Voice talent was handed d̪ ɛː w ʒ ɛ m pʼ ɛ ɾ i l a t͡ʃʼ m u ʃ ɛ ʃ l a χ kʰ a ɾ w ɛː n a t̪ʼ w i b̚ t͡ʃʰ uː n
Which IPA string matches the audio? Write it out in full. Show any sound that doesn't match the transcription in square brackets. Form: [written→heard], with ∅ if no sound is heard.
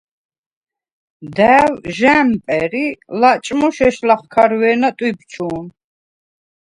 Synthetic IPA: d̪ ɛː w ʒ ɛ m pʼ ɛ ɾ i l a t͡ʃʼ m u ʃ ɛ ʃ l a χ kʰ a ɾ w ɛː n a t̪ʼ w i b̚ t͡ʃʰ uː n